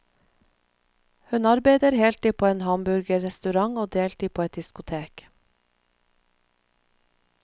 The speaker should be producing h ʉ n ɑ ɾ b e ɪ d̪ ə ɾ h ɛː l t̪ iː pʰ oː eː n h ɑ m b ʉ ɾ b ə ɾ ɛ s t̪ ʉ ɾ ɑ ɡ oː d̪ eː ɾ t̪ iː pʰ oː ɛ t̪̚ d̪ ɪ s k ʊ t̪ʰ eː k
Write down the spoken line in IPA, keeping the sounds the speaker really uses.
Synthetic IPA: h ʉ n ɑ ɾ b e ɪ d̪ ə ɾ h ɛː l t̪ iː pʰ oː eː n h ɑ m b ʉ ɾ ɡ ə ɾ ɛ s t̪ ʉ ɾ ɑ ŋ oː d̪ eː l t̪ iː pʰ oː ɛ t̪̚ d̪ ɪ s k ʊ t̪ʰ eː k